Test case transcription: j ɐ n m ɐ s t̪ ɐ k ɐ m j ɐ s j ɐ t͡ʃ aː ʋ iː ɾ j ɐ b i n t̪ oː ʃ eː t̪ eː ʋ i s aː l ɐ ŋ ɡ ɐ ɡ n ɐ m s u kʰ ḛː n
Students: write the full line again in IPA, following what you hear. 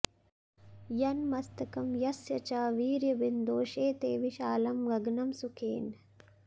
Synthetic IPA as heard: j ɐ n m ɐ s t̪ ɐ k ɐ m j ɐ s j ɐ t͡ʃ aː ʋ iː ɾ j ɐ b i n d̪ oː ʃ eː t̪ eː ʋ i ʃ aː l ɐ m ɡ ɐ ɡ n ɐ m s u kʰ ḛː n

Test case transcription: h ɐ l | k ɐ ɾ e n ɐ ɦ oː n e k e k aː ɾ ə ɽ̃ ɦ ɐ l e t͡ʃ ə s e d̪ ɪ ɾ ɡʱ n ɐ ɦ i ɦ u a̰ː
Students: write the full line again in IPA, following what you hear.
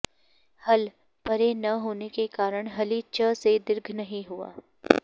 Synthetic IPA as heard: h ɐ l | p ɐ ɾ e n ɐ ɦ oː n e k e k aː ɾ ə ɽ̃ ɦ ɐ l i t͡ʃ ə s e d̪ ɪ ɾ ɡʱ n ɐ ɦ ĩ ɦ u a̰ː

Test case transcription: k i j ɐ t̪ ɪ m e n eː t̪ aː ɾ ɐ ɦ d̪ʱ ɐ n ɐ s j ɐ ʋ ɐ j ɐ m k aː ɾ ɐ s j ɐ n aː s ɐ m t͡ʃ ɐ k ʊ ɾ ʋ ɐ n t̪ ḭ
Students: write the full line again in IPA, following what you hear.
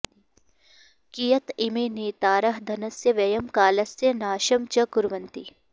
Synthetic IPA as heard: k i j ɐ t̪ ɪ m e n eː t̪ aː ɾ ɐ ɦ d̪ʱ ɐ n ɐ s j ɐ ʋ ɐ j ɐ m k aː l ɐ s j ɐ n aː ʃ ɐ m t͡ʃ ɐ k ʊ ɾ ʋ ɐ n t̪ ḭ

